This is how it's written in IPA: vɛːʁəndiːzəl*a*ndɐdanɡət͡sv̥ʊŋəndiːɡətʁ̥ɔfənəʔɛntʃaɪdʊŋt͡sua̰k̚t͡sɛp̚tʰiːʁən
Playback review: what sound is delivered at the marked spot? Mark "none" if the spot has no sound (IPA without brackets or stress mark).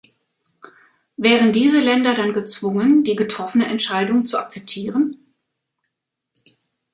ɛ